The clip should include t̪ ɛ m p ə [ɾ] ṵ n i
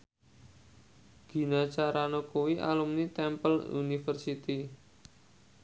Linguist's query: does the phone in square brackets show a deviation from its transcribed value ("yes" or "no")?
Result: yes